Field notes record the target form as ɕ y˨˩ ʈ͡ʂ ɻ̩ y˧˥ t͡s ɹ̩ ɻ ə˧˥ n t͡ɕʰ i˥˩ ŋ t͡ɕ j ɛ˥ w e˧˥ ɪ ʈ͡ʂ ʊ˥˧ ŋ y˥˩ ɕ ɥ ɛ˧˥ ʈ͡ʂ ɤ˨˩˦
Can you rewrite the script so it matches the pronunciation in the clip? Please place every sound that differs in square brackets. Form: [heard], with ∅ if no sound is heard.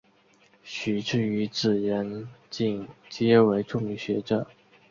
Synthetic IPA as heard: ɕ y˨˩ ʈ͡ʂ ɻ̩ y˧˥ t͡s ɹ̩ ɻ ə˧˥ n [t͡ɕ] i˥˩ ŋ t͡ɕ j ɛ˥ w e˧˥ ɪ ʈ͡ʂ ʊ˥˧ ŋ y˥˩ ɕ ɥ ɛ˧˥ ʈ͡ʂ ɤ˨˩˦